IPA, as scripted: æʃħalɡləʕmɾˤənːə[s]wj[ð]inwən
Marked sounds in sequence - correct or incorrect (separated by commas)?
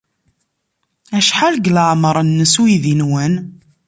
correct, correct